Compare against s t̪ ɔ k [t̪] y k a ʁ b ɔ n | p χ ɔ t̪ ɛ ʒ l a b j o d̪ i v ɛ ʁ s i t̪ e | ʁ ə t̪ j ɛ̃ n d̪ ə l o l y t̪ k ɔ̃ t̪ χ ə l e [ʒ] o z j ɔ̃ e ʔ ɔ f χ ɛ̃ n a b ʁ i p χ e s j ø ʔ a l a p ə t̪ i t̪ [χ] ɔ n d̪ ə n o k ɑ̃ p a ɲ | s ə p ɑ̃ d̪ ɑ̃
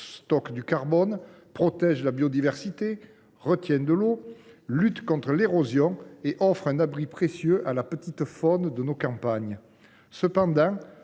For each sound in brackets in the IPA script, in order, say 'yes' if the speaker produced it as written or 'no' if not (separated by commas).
no, no, no